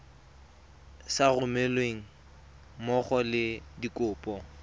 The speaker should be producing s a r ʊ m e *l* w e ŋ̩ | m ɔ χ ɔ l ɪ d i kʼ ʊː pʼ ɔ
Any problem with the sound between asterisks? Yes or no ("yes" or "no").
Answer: no